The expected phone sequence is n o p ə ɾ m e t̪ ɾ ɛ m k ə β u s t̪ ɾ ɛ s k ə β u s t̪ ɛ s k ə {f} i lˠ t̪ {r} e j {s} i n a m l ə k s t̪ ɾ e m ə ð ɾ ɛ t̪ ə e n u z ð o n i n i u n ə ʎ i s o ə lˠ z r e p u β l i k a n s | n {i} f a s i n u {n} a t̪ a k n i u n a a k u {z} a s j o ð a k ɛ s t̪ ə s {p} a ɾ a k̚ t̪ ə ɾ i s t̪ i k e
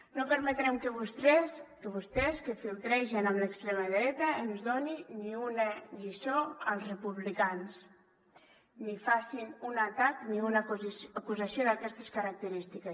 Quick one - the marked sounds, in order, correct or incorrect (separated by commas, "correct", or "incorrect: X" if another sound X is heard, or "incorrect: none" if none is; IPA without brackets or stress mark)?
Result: correct, incorrect: ɾ, incorrect: ʃ, correct, correct, correct, incorrect: k